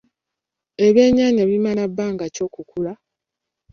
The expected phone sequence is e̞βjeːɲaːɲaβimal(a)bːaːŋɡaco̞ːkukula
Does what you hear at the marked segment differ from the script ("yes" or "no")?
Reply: no